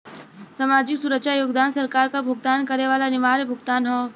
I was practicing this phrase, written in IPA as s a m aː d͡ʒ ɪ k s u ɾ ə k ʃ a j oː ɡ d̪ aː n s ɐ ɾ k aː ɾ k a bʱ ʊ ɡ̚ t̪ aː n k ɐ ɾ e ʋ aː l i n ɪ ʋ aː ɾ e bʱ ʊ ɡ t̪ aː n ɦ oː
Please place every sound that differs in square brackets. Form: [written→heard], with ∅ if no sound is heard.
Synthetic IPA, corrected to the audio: s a m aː d͡ʒ ɪ k s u ɾ ə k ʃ a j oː ɡ d̪ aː n s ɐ ɾ k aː ɾ k a bʱ ʊ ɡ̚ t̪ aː n k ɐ ɾ e ʋ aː l [i→a] n ɪ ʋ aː ɾ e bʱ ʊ ɡ t̪ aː n ɦ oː